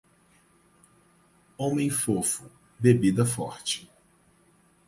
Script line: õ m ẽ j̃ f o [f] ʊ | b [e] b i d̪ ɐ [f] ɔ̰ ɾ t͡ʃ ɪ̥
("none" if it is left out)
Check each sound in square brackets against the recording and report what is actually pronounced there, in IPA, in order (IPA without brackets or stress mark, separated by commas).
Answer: f, e, f